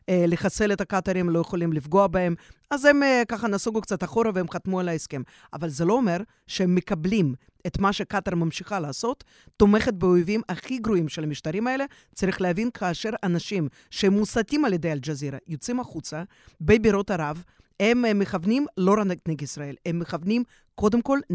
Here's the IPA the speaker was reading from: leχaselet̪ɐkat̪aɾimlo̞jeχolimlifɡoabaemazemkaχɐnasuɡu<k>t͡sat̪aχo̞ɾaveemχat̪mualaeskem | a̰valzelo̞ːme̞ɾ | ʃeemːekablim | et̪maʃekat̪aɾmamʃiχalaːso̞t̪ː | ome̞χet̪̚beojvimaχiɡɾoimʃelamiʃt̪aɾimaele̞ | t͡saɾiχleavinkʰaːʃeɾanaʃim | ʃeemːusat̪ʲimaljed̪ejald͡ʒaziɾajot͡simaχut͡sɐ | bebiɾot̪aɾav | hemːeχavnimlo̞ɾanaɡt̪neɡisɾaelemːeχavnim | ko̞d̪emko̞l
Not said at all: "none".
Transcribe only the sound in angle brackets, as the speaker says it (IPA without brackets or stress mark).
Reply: k